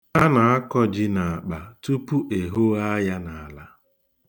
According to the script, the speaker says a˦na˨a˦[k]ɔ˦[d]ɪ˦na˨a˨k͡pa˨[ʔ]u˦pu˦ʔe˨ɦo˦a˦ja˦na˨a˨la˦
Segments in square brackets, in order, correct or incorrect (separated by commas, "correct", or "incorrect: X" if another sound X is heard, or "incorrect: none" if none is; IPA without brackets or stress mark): correct, incorrect: d͡ʒ, incorrect: t